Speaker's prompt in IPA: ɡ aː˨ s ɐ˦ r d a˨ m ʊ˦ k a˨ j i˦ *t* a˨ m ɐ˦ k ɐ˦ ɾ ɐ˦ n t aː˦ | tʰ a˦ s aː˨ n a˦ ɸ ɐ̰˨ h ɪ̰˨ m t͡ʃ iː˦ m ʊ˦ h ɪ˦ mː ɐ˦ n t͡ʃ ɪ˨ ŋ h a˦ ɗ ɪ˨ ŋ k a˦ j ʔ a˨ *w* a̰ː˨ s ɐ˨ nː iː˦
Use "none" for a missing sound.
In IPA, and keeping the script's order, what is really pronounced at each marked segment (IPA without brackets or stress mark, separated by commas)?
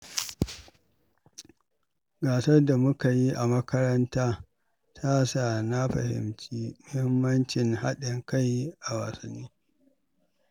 ʔ, w